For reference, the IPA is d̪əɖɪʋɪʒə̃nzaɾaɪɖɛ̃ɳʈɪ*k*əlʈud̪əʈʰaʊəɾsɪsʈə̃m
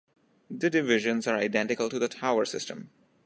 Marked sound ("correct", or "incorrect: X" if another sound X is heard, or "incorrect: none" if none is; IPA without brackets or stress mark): correct